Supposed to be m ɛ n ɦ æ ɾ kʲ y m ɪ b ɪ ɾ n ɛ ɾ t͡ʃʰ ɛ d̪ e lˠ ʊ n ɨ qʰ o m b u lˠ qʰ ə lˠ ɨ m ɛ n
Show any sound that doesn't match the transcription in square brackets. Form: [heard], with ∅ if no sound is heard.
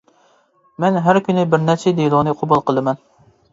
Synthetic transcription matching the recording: m ɛ n ɦ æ ɾ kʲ y [n] ɪ b ɪ ɾ n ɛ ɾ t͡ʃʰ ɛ d̪ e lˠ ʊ n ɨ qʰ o [∅] b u lˠ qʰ ə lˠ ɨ m ɛ n